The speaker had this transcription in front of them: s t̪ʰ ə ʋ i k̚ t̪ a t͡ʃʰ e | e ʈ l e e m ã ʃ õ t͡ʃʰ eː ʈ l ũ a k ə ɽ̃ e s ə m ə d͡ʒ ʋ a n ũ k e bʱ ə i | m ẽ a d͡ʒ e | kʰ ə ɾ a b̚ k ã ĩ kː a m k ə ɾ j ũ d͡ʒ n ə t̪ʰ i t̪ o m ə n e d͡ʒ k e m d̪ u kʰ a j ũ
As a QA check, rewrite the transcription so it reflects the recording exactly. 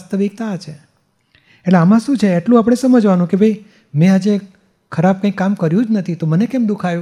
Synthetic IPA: s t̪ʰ ə ʋ i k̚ t̪ a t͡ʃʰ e | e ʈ l e a m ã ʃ ũ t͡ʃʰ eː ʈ l ũ a p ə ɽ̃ e s ə m ə d͡ʒ ʋ a n ũ k e bʱ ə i | m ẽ a d͡ʒ e | kʰ ə ɾ a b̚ k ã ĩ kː a m k ə ɾ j ũ d͡ʒ n ə t̪ʰ i t̪ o m ə n e k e m d̪ u kʰ a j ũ